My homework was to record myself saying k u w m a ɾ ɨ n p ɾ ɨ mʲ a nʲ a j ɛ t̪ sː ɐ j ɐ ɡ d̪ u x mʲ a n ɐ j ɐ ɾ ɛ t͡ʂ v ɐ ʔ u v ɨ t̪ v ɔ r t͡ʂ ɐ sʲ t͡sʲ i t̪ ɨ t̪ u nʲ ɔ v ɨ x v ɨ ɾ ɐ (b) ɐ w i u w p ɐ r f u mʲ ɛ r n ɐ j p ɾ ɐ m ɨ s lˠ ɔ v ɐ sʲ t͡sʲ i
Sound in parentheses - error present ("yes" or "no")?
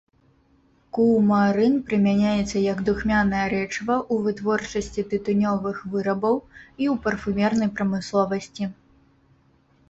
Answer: no